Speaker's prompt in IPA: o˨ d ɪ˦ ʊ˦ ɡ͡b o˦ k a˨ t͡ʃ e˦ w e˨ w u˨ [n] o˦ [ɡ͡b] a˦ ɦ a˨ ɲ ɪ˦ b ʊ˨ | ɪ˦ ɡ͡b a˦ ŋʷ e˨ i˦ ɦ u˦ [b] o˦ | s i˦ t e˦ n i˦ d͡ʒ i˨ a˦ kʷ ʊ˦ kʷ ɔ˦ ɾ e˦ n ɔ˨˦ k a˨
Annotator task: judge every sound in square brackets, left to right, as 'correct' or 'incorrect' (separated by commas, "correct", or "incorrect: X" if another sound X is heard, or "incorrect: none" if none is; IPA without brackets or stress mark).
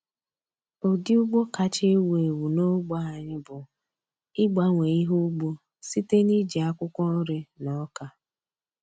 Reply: correct, correct, incorrect: ɡ͡b